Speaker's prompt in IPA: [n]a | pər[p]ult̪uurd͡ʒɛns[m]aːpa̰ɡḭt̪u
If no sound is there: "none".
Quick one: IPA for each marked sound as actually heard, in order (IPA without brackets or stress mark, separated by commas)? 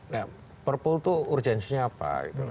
n, p, ɲ